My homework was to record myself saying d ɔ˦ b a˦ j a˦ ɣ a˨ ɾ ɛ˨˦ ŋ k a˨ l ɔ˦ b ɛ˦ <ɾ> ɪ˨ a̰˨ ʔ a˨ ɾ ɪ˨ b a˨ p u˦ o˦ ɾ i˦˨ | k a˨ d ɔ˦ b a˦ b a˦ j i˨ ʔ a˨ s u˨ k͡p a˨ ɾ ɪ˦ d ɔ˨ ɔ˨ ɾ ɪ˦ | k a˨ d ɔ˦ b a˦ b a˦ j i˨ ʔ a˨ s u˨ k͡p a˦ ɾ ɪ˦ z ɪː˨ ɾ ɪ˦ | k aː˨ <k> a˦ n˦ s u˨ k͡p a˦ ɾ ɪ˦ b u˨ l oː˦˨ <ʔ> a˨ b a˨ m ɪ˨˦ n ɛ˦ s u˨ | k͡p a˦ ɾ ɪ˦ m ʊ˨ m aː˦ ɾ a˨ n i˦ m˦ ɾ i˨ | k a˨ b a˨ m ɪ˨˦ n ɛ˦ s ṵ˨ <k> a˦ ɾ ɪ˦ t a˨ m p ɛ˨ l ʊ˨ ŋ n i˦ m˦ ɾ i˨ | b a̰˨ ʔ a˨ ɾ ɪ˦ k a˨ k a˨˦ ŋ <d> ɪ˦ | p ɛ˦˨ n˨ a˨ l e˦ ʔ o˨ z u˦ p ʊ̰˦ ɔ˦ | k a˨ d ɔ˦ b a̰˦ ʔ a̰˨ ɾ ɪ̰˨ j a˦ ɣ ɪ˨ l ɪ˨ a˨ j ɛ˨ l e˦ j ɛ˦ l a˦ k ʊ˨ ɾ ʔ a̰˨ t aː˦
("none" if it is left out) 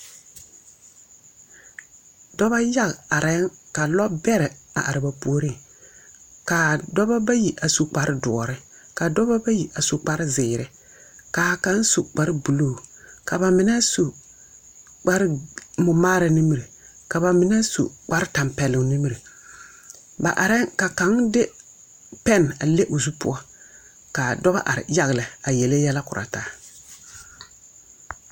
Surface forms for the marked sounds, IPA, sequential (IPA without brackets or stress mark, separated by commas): ɾ, k, k, k͡p, d